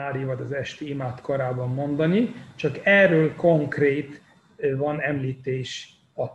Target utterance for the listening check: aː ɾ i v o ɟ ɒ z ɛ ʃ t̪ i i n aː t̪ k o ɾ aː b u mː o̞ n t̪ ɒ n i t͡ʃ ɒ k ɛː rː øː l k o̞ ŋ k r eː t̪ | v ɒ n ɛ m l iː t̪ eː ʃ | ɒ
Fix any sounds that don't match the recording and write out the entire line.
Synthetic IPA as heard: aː ɾ i v ɒ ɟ ɒ z ɛ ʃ t̪ i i m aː t̪ k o ɾ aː b ɒ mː o̞ n d̪ ɒ n i t͡ʃ ɒ k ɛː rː øː l k o̞ ŋ k r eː t̪ | v ɒ n ɛ m l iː t̪ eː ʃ | ɒ